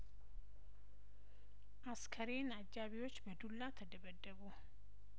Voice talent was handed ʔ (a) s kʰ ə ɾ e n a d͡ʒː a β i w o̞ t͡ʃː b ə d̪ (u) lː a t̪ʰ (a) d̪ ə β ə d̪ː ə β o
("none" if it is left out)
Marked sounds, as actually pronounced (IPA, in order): a, u, ə

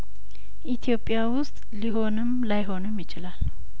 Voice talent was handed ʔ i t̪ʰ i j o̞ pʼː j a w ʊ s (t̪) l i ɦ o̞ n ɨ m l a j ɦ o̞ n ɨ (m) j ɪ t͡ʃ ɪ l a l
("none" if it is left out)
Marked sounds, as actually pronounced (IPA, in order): t̪ʼ, m

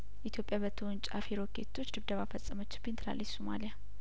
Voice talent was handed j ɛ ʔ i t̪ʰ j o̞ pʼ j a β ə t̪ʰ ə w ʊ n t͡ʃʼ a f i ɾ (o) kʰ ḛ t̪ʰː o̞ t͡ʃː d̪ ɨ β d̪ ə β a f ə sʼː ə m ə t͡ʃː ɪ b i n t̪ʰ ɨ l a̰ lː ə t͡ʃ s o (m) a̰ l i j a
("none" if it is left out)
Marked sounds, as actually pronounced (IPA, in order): o, m

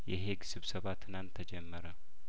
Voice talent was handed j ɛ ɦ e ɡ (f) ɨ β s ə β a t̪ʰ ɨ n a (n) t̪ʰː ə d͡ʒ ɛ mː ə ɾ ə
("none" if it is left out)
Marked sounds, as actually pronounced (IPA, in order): s, n

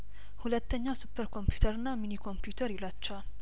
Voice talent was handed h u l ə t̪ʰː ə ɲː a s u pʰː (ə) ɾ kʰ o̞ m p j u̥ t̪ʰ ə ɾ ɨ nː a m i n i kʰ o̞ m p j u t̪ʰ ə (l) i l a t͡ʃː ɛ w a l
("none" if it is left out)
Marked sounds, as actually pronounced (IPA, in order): ə, ɾ

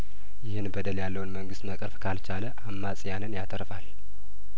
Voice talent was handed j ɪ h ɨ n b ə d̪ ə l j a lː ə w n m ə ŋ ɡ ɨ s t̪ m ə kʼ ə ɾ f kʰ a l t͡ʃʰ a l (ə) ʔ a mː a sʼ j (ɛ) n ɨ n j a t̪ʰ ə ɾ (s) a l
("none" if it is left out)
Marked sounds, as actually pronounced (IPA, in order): ə, a, f

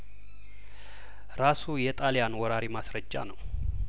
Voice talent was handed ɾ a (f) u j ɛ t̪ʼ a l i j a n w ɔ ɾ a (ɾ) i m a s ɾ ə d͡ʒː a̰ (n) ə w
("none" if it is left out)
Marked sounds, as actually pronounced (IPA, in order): s, ɾ, n

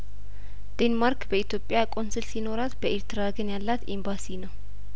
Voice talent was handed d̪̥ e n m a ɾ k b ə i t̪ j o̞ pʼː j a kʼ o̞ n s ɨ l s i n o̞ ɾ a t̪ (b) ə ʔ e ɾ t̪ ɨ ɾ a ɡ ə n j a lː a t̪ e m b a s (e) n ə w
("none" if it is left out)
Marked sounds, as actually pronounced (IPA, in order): b, i

